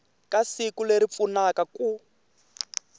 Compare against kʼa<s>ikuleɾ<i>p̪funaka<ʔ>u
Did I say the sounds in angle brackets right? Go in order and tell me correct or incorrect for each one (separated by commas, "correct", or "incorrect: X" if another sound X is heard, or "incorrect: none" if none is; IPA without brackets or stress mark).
correct, correct, incorrect: k